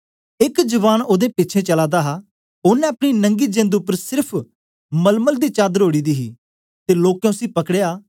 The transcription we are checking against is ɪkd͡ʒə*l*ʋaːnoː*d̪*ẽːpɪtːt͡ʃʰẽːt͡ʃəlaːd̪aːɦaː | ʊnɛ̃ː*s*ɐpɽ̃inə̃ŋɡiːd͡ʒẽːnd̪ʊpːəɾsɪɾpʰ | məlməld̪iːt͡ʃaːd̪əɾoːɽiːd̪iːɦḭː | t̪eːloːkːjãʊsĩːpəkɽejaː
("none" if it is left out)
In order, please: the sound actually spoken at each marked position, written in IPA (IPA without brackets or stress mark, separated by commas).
none, d̪, none